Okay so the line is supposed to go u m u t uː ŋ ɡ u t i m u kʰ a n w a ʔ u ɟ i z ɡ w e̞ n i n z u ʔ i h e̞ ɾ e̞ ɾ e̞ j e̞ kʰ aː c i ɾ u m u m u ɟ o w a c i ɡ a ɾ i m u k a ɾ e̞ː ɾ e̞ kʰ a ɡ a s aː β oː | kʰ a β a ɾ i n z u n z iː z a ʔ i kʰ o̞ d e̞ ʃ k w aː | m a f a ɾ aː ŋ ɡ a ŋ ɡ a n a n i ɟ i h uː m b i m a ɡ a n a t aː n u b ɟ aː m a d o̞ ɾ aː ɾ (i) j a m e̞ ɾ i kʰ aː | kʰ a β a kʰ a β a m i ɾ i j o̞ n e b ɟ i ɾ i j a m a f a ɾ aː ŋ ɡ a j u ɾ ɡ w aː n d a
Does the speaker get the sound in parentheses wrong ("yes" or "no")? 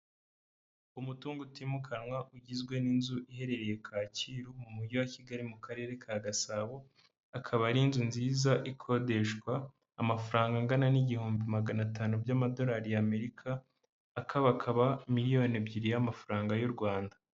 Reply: no